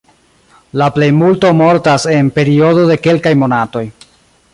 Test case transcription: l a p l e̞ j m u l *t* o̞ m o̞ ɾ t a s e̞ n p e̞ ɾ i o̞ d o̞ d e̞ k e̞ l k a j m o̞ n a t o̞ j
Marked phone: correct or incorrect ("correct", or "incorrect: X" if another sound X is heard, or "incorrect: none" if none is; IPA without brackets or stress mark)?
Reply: correct